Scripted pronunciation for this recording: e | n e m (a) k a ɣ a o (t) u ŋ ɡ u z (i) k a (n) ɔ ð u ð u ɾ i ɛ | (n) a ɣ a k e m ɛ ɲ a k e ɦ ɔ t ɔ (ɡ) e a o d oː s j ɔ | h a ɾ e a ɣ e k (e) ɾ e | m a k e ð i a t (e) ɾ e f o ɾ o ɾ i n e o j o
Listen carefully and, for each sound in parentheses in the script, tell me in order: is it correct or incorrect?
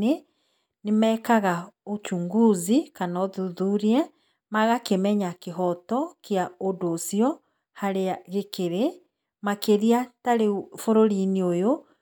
incorrect, incorrect, correct, correct, incorrect, incorrect, correct, incorrect

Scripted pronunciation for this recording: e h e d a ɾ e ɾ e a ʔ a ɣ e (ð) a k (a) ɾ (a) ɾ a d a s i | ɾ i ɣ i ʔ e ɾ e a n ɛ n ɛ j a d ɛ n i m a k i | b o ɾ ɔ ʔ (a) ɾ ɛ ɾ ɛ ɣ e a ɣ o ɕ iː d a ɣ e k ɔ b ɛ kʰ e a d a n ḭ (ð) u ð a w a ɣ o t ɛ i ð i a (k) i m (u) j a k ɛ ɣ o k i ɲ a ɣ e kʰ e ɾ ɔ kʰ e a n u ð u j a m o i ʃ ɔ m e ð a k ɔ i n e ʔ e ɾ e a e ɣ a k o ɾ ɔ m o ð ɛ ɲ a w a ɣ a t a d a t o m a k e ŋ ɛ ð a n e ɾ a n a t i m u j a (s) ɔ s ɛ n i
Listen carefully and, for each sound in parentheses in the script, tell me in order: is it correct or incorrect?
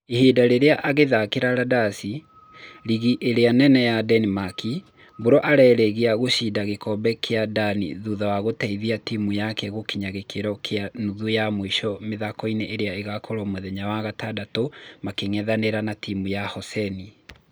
correct, incorrect, correct, correct, correct, incorrect, correct, incorrect

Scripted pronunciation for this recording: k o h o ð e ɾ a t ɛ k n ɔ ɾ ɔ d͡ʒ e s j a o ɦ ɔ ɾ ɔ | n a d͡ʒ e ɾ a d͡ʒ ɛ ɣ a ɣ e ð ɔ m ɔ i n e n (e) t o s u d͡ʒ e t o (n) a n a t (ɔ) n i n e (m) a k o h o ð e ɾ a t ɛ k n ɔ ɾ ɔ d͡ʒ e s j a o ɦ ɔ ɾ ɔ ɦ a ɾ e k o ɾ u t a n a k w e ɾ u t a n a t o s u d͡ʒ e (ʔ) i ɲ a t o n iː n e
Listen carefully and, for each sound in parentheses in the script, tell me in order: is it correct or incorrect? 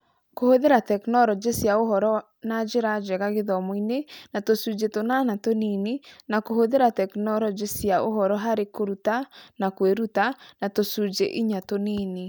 incorrect, correct, incorrect, incorrect, correct

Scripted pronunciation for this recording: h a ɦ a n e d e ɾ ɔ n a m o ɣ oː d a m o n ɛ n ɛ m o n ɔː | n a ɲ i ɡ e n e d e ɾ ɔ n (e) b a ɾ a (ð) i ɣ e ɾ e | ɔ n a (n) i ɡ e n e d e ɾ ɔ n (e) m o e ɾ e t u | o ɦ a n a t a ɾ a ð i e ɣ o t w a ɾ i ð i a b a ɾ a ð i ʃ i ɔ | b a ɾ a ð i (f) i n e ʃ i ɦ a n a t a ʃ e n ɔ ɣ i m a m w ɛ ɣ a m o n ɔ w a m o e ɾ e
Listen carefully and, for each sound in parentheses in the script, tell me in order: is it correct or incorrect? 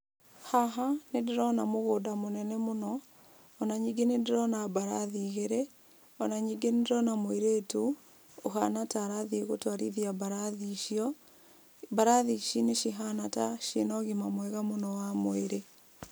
incorrect, correct, incorrect, incorrect, incorrect

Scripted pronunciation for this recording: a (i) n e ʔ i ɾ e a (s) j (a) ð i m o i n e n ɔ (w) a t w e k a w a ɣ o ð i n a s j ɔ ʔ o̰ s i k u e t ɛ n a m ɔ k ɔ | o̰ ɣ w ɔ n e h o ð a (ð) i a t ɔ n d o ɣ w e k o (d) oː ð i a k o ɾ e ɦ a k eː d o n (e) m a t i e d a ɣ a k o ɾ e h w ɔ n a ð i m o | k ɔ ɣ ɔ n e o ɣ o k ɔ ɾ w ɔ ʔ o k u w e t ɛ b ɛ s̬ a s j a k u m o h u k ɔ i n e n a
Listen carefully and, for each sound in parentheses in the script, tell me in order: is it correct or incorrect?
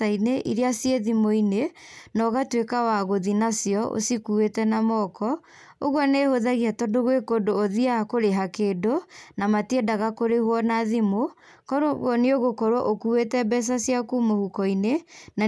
correct, correct, incorrect, incorrect, incorrect, correct, incorrect

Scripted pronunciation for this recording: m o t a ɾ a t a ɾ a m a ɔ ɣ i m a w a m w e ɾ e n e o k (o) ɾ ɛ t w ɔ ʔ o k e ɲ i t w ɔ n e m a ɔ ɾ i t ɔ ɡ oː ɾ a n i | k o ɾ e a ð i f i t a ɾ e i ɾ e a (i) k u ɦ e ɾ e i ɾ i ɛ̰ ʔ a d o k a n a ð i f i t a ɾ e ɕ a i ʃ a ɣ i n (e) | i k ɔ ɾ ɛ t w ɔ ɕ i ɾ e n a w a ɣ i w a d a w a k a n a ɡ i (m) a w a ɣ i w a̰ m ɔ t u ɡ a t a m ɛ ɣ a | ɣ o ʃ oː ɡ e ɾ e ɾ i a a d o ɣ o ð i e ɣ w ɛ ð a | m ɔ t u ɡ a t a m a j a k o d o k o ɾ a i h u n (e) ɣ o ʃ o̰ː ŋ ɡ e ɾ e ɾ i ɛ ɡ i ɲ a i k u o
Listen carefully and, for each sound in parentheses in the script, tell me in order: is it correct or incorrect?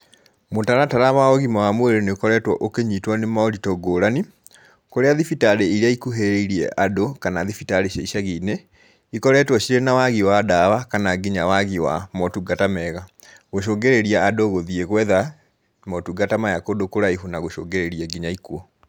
incorrect, correct, correct, incorrect, incorrect

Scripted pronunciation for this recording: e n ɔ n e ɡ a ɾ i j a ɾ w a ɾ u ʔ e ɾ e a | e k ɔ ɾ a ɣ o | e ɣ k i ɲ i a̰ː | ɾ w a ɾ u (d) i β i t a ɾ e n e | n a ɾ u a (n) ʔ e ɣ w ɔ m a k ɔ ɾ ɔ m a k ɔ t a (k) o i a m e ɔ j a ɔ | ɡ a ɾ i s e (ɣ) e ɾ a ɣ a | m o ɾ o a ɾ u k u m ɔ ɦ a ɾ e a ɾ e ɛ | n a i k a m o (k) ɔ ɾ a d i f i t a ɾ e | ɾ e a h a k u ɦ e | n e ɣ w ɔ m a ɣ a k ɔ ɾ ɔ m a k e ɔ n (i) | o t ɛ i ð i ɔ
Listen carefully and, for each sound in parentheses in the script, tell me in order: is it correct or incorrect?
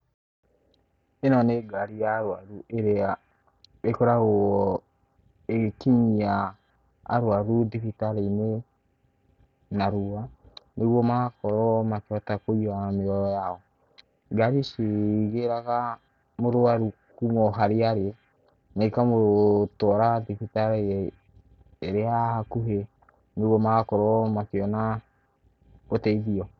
correct, correct, correct, correct, incorrect, incorrect

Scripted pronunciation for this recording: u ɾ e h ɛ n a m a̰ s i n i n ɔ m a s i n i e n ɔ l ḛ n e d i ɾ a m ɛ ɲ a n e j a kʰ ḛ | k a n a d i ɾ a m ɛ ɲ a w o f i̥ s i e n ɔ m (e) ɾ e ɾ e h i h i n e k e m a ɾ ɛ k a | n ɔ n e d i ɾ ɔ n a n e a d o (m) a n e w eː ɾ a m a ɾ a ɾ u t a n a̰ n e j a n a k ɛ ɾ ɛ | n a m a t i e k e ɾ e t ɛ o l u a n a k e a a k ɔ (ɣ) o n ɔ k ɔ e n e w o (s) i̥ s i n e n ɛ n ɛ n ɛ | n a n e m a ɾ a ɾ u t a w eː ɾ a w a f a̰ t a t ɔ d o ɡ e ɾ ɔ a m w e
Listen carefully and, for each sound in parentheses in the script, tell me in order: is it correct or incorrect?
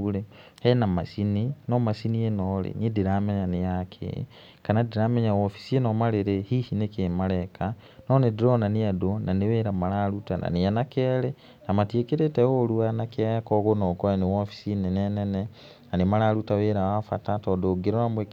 incorrect, incorrect, correct, incorrect

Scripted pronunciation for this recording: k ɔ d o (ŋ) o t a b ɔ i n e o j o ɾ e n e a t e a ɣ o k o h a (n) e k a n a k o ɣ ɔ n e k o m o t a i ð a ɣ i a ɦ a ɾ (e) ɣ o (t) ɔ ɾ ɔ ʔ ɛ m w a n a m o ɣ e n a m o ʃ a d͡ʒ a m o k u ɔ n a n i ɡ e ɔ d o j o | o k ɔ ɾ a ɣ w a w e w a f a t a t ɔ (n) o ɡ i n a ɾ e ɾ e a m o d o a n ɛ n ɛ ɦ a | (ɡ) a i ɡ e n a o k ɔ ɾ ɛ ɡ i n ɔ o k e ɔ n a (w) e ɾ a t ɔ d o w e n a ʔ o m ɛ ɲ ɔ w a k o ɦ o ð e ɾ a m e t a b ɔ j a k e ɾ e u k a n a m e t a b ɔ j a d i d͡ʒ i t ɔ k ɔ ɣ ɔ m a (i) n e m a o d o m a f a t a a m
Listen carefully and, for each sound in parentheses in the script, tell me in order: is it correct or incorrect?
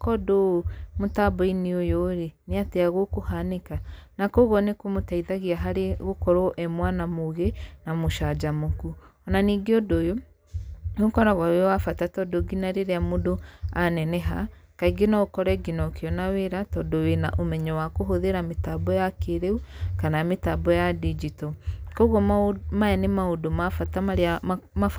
incorrect, correct, correct, incorrect, incorrect, incorrect, correct, incorrect

